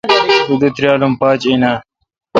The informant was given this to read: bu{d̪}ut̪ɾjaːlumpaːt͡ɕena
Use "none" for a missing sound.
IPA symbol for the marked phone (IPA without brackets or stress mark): d̪